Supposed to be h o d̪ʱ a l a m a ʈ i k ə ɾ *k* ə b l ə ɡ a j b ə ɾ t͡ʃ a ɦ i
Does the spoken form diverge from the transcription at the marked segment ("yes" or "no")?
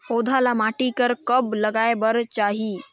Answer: no